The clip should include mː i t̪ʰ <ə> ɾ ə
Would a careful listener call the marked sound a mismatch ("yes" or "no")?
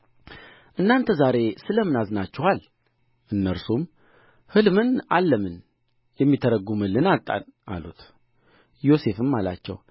no